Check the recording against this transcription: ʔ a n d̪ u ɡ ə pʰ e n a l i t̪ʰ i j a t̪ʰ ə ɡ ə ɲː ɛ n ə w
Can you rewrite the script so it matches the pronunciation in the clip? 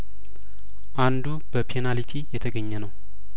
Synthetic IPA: ʔ a n d̪ u b ə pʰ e n a l i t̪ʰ i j ɛ t̪ʰ ə ɡ ə ɲː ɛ n ə w